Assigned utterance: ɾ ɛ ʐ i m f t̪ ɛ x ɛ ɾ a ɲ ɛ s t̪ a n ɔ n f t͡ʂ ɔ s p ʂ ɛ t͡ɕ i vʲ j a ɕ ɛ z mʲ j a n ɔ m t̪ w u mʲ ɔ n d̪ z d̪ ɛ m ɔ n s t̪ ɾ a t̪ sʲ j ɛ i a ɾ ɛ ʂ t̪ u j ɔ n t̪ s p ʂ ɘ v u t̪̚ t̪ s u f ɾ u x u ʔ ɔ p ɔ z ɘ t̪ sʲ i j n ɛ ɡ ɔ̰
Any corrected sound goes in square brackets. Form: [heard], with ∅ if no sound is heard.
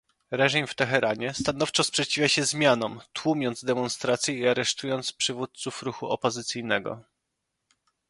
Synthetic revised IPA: ɾ ɛ ʐ i m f t̪ ɛ x ɛ ɾ a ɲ ɛ s t̪ a n ɔ [∅] f t͡ʂ ɔ s p ʂ ɛ t͡ɕ i vʲ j a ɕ ɛ z mʲ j a n ɔ m t̪ w u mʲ ɔ n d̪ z d̪ ɛ m ɔ n s t̪ ɾ a t̪ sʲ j ɛ i a ɾ ɛ ʂ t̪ u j ɔ n t̪ s p ʂ ɘ v u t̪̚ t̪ s u f ɾ u x u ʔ ɔ p ɔ z ɘ t̪ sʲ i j n ɛ ɡ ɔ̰